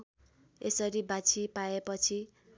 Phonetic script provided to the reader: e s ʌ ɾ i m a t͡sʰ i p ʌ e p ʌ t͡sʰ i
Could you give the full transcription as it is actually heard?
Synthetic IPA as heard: e s ʌ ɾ i b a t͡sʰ i p a e p ʌ t͡sʰ i